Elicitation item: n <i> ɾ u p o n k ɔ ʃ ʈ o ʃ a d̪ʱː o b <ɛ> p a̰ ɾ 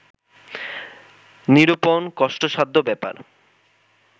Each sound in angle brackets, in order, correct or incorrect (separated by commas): correct, correct